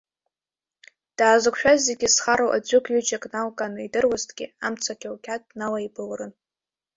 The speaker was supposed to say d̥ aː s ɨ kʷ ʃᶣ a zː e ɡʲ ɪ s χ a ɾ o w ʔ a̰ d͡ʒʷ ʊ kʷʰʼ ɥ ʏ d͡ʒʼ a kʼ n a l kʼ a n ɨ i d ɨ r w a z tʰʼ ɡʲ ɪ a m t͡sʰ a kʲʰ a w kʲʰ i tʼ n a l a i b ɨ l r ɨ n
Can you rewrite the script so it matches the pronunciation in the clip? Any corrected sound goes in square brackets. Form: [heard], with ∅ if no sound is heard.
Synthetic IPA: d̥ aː [z] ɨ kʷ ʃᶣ a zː e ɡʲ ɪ s χ a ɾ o w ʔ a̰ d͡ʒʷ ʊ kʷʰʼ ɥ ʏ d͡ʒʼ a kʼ n a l kʼ a n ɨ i d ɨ r w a z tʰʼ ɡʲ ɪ a m t͡sʰ a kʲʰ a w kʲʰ [a] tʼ n a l a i b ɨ l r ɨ n

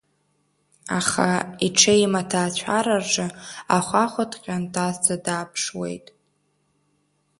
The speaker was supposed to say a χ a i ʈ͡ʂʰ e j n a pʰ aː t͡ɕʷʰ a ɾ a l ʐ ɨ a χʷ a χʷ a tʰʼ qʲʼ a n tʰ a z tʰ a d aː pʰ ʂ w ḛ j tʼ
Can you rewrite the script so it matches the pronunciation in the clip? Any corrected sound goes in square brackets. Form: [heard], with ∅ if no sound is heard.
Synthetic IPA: a χ a i ʈ͡ʂʰ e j [m] a [tʰ] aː t͡ɕʷʰ a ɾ a [r] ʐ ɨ a χʷ a χʷ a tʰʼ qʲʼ a n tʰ a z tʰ a d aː pʰ ʂ w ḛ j tʼ

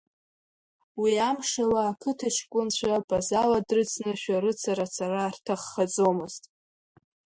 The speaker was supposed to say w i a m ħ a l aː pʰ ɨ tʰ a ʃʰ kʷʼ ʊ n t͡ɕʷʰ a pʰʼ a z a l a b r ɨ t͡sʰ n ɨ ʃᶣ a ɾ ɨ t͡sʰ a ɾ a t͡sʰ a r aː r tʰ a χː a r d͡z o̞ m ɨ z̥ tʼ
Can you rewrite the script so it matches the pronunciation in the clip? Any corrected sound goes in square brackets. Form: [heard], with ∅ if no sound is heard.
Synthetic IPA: w i a m [ʂ] a l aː [kʰ] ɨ tʰ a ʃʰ kʷʼ ʊ n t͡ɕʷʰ a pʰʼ a z a l a [d] r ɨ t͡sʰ n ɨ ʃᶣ a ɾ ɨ t͡sʰ a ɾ a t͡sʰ a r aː r tʰ a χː a [∅] d͡z o̞ m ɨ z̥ tʼ

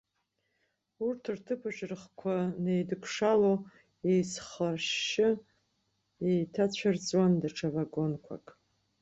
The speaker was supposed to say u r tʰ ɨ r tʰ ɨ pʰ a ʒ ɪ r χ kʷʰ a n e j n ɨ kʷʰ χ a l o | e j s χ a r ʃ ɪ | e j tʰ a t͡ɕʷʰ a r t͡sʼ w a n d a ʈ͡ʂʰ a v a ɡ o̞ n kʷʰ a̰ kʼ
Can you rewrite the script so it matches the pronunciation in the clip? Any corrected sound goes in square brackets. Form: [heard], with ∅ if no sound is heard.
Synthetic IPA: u r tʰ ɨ r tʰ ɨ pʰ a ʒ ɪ r χ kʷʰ a n e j [d] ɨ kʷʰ [ʂ] a l o | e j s χ a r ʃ ɪ | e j tʰ a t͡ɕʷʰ a r t͡sʼ w a n d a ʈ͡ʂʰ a v a ɡ o̞ n kʷʰ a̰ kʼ

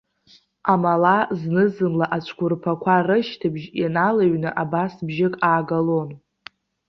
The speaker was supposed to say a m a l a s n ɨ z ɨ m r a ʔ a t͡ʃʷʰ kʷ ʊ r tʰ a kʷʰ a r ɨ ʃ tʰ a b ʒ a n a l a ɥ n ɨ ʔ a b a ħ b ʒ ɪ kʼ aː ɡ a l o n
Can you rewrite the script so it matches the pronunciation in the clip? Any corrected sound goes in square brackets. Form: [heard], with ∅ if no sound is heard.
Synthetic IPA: a m a l a [z] n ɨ z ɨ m [l] a ʔ a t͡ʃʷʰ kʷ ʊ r [pʰ] a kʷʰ a r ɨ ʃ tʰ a b ʒ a n a l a ɥ n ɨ ʔ a b a [s] b ʒ ɪ kʼ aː ɡ a l o n

